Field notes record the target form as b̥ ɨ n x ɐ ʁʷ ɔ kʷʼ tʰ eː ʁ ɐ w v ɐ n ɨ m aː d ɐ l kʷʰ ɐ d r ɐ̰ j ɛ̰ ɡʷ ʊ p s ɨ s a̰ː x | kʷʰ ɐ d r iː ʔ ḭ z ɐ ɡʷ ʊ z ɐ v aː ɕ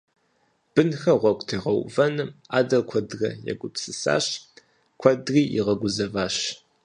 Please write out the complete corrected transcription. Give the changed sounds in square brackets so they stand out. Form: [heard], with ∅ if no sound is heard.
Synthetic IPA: b̥ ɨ n x ɐ ʁʷ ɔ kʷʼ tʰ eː ʁ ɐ w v ɐ n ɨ m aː d ɐ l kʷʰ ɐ d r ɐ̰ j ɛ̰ ɡʷ ʊ p s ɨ s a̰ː [ɕ] | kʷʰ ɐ d r iː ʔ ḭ [ʁ] ɐ ɡʷ ʊ z ɐ v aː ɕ